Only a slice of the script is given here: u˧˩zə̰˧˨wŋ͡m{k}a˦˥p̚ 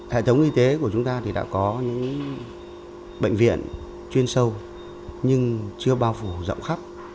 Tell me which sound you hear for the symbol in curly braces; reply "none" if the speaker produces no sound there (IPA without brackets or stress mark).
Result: x